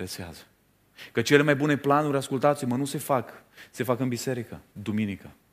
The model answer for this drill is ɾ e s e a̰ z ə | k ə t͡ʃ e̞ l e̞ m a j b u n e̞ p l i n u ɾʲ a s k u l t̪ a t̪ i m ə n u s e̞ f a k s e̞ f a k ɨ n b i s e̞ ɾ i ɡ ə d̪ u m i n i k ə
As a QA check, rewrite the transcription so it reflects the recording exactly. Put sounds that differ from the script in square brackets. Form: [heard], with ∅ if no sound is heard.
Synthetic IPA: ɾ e s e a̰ z ə | k ə t͡ʃ e̞ l e̞ m a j b u n e̞ p l [a] n u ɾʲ a s k u l t̪ a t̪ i m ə n u s e̞ f a k s e̞ f a k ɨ n b i s e̞ ɾ i [k] ə d̪ u m i n i k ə